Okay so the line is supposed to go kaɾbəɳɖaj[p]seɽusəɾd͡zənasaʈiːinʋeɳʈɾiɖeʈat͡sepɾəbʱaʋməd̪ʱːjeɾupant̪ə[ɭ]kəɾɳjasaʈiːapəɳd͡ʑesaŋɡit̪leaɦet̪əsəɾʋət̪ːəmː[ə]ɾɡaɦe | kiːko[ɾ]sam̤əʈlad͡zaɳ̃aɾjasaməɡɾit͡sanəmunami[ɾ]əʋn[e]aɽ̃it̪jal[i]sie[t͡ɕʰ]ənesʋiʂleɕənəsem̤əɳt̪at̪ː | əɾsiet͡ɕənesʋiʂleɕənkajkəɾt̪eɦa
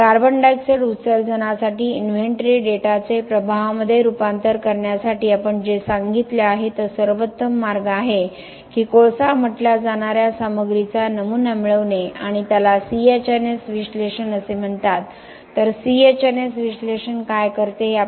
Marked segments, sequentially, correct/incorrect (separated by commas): incorrect, incorrect, incorrect, incorrect, incorrect, correct, incorrect, incorrect